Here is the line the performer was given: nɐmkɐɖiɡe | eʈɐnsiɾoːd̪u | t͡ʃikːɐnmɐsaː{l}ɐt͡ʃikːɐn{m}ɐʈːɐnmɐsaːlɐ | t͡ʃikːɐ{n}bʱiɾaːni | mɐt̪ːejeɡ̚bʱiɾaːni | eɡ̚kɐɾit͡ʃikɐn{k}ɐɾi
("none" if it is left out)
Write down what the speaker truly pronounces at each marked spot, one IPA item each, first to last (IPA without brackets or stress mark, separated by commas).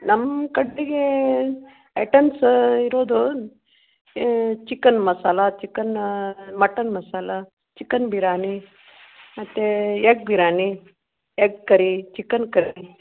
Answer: l, m, n, k